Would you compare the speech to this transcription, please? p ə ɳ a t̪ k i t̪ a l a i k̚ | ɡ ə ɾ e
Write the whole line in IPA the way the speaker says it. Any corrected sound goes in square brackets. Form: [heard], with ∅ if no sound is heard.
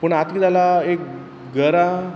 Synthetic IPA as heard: p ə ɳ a t̪ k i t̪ a l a [e] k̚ | ɡ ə ɾ [a]